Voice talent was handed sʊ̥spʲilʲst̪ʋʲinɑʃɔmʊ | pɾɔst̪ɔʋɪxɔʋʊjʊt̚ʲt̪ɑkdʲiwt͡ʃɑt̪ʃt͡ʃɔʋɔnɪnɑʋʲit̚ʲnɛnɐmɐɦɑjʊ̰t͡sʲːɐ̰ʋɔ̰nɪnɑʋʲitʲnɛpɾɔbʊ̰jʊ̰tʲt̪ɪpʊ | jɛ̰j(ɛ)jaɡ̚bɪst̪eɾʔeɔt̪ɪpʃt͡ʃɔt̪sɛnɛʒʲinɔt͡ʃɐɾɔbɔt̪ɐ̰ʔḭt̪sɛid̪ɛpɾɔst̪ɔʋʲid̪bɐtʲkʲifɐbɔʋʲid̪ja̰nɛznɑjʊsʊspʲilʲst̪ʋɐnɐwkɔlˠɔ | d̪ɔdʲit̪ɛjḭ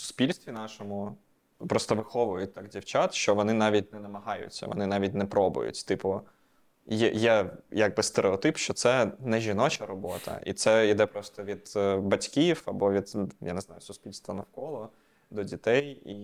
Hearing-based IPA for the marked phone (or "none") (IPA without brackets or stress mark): ɛ